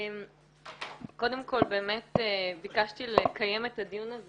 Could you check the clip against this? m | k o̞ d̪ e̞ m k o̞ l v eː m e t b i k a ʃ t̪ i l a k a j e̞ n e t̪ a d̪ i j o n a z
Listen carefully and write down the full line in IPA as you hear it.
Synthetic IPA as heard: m | k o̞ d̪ e̞ m k o̞ l b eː m e t b i k a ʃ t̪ i l e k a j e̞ m e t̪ a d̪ i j u n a z